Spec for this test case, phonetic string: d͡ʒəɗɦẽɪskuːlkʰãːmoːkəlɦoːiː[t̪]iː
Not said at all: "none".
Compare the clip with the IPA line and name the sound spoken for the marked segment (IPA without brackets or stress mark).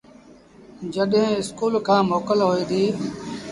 d̪